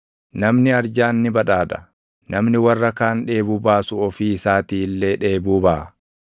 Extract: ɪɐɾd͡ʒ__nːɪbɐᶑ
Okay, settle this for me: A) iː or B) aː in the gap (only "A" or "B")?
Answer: B